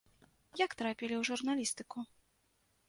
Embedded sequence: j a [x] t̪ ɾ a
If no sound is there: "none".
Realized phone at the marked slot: k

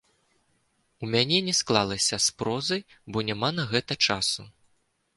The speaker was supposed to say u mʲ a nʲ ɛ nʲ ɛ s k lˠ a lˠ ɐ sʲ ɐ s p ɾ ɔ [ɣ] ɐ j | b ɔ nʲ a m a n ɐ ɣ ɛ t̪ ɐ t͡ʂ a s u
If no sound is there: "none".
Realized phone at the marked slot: z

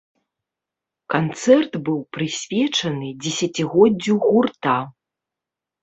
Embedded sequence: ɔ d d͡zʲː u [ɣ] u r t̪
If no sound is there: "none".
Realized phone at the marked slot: ɣ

